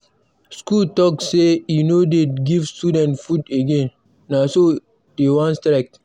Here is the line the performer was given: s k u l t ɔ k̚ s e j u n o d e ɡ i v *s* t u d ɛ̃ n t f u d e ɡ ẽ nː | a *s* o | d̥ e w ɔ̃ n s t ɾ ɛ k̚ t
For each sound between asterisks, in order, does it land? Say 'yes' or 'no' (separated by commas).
yes, yes